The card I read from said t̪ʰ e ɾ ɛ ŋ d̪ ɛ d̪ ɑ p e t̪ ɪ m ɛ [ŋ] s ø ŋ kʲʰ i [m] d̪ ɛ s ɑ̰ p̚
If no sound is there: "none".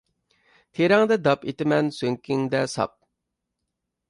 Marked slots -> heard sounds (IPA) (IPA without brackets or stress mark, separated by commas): n, ŋ